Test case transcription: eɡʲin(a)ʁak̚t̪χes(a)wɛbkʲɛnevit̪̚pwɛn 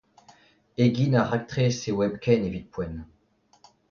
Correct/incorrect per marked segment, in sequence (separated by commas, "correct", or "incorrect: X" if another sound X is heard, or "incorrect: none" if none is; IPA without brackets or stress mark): correct, incorrect: e